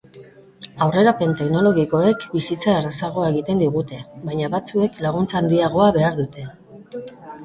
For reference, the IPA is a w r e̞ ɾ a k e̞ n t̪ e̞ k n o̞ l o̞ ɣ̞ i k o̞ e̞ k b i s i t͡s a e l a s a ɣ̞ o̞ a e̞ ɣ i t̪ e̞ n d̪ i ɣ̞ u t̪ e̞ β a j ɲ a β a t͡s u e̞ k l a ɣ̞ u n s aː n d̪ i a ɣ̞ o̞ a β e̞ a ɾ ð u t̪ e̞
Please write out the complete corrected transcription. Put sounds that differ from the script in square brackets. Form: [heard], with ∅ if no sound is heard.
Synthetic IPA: a w r e̞ ɾ a [p] e̞ n t̪ e̞ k n o̞ l o̞ ɣ̞ i k o̞ e̞ k b i s i t͡s a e [r] a s a ɣ̞ o̞ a e̞ ɣ i t̪ e̞ n d̪ i ɣ̞ u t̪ e̞ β a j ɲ a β a t͡s u e̞ k l a ɣ̞ u n [t͡s] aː n d̪ i a ɣ̞ o̞ a β e̞ a ɾ ð u t̪ e̞